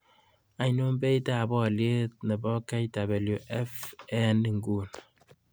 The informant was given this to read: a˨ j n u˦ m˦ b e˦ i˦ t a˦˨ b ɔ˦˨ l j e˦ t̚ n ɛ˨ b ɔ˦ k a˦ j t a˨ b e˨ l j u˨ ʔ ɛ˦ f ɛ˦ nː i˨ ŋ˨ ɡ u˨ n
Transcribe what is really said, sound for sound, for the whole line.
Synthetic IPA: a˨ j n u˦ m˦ b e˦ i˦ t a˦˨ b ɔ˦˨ l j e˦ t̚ n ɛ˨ b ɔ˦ k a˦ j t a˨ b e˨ l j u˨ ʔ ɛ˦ f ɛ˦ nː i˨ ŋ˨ ɡ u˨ n